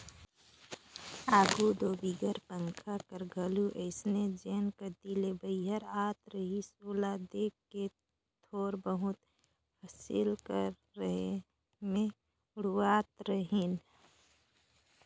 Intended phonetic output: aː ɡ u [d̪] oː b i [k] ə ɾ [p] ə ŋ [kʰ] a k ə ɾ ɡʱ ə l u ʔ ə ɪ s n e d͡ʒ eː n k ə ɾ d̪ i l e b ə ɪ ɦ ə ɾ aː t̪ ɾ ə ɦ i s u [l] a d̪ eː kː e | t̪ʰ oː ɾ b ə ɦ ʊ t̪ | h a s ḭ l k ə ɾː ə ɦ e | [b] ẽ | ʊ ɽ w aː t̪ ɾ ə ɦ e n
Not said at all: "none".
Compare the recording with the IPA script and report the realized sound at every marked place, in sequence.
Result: d̪, ɡ, p, kʰ, l, m

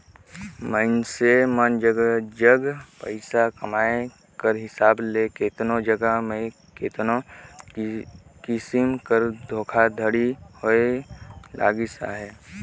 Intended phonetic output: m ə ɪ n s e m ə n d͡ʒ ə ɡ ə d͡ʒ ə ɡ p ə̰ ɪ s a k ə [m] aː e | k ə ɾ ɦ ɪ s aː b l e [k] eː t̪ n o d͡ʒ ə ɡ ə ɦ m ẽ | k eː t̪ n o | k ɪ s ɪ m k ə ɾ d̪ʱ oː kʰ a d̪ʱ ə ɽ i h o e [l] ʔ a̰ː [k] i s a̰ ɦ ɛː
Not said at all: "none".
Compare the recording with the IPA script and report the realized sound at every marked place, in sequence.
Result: m, k, l, ɡ

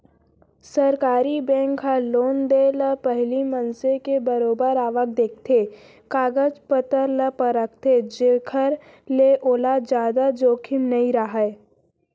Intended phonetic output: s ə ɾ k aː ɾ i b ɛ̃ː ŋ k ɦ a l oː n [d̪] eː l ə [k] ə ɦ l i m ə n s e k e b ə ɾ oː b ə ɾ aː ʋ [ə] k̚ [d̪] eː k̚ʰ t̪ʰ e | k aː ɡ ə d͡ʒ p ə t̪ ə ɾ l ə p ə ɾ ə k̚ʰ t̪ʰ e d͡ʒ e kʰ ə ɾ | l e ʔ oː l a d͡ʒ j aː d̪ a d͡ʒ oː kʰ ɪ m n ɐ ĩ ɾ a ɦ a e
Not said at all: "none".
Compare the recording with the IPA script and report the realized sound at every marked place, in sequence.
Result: d̪, p, ə, d̪

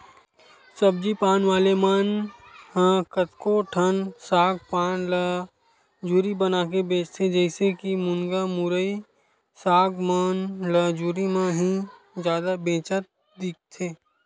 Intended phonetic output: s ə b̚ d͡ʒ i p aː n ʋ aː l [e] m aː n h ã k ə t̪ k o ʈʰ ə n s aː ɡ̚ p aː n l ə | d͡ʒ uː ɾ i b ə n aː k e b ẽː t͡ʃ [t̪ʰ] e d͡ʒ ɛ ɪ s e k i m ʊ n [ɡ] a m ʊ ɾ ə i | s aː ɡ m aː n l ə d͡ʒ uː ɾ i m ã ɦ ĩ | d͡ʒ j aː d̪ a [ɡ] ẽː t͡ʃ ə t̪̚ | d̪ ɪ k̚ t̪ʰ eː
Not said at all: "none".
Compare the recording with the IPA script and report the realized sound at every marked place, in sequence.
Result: e, t̪ʰ, ɡ, b

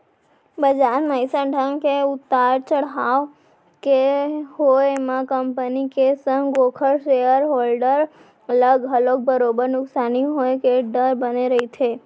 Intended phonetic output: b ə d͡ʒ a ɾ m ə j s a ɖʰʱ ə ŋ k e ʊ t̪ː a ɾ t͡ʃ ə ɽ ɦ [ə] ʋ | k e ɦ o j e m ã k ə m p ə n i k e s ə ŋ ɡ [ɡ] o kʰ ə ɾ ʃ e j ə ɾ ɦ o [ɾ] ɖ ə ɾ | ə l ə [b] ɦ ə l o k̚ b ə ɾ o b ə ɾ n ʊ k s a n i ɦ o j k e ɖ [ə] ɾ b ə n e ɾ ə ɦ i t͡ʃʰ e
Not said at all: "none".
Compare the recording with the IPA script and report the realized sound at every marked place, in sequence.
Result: a, ɡ, l, ɡ, ə

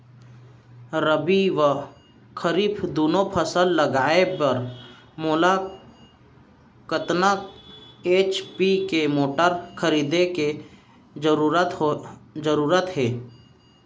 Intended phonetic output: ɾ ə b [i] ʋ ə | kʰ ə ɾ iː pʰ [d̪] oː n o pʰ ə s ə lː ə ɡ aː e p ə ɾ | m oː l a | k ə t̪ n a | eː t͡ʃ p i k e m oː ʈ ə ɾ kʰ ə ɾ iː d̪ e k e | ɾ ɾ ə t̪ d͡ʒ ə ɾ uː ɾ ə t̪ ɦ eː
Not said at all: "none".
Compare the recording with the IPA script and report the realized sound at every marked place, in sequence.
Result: i, d̪

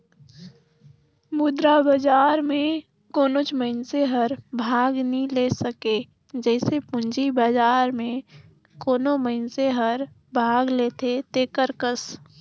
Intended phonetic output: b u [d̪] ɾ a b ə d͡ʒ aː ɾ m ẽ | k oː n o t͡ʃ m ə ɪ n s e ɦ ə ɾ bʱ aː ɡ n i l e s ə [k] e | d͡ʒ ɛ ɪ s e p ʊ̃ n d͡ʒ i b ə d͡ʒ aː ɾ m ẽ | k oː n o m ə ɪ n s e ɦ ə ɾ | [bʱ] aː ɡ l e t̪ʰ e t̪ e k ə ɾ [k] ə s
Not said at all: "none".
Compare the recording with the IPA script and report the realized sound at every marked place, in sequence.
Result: d̪, k, bʱ, k

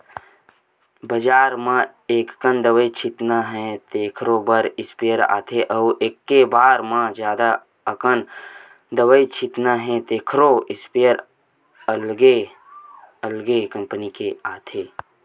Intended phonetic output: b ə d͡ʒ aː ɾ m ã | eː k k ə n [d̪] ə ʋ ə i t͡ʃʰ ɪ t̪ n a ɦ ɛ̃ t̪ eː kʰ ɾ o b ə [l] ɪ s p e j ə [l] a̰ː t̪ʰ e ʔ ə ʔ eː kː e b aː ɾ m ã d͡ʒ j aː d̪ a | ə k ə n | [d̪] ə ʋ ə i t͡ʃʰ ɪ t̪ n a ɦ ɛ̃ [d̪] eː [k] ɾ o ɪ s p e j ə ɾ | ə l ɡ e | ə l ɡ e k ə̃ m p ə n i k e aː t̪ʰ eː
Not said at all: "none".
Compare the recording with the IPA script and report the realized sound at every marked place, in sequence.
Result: d̪, ɾ, ɾ, d̪, t̪, kʰ

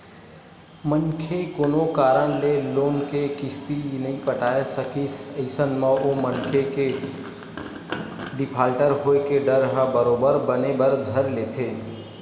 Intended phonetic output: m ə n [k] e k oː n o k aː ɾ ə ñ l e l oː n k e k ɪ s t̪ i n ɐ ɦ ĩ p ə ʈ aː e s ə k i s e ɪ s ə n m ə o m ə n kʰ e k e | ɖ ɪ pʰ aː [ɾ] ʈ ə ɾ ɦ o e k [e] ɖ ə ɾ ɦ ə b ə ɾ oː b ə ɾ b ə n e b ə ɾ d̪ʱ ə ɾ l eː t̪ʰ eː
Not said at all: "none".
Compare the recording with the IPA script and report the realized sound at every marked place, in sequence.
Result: kʰ, l, e

